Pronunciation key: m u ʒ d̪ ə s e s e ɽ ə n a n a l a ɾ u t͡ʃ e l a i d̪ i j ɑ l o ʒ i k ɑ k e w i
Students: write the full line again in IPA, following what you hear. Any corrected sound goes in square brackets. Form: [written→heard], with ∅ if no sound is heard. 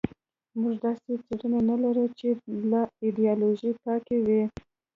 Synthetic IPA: m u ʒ d̪ [ə→ɑ] s e [s→t͡s] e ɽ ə n a n a l a ɾ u t͡ʃ e l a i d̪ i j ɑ l o ʒ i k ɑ k e w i

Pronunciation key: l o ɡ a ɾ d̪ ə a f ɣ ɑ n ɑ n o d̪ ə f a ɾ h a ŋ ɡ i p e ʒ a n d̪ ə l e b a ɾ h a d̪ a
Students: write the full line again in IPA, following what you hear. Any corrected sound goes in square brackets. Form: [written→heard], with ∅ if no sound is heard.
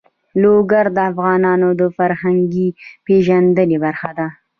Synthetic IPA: l o ɡ a ɾ d̪ ə a f ɣ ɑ n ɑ n o d̪ ə f a ɾ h a ŋ ɡ i p e ʒ a n d̪ ə l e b a ɾ [h→x] a d̪ a

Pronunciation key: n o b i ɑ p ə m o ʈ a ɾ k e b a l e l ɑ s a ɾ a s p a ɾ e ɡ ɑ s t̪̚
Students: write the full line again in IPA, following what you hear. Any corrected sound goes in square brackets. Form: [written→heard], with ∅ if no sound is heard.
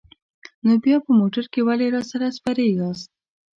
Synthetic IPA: n o b [i→j] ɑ p ə m o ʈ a ɾ k e [b→w] a l e [l→ɾ] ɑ s a ɾ a s p a ɾ e ɡ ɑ s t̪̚

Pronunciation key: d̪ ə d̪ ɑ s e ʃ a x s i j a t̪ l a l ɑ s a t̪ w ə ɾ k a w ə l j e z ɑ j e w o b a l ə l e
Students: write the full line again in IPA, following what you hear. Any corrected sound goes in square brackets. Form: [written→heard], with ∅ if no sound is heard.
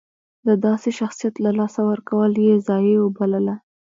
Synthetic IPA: d̪ ə d̪ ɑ s e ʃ a x s i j a t̪ l a l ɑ s a [t̪→∅] w ə ɾ k a w ə l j e z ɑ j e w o b a l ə l [e→a]

